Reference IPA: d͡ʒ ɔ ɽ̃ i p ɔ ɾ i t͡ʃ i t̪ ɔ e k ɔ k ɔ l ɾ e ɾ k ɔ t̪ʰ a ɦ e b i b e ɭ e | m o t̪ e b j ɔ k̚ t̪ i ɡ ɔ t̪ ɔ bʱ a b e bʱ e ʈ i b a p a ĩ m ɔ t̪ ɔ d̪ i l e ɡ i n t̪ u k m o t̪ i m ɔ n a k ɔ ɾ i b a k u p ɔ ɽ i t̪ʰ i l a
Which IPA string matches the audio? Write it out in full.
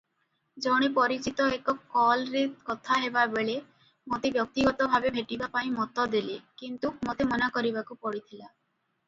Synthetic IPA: d͡ʒ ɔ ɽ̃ i p ɔ ɾ i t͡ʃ i t̪ ɔ e k ɔ k ɔ l ɾ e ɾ k ɔ t̪ʰ a ɦ e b a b e ɭ e | m o t̪ e b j ɔ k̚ t̪ i ɡ ɔ t̪ ɔ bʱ a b e bʱ e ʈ i b a p a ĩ m ɔ t̪ ɔ d̪ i l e k i n t̪ u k m o t̪ e m ɔ n a k ɔ ɾ i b a k u p ɔ ɽ i t̪ʰ i l a